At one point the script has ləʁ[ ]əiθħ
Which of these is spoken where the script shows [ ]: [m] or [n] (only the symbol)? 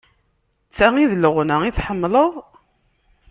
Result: n